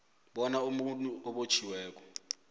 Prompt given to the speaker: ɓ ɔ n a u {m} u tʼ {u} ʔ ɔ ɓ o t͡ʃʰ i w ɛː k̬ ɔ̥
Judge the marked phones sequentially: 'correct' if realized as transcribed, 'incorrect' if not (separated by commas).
correct, correct